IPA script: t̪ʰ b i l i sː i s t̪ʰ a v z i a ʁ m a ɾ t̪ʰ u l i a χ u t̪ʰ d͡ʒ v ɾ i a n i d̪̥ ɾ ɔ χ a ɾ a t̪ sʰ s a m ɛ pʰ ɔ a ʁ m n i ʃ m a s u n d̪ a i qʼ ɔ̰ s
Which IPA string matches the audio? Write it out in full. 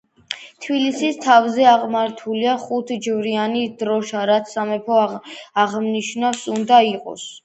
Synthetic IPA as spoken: t̪ʰ b i l i s i s t̪ʰ a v z ɛ a ʁ m a ɾ t̪ʰ u l i a χ u t̪ʰ d͡ʒ v ɾ i a n i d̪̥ ɾ ɔ ʃ a ɾ a t̪ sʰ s a m ɛ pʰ ɔ a ʁ m n i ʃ n a s u n d̪ a i qʼ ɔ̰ s